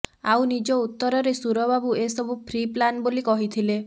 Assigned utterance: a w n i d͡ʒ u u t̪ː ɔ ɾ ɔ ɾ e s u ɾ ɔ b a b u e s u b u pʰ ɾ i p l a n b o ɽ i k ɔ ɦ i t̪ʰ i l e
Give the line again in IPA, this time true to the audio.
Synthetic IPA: a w n i d͡ʒ ɔ u t̪ː ɔ ɾ ɔ ɾ e s u ɾ ɔ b a b u e s ɔ b u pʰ ɾ i p l a n b o l i k ɔ ɦ i t̪ʰ i l e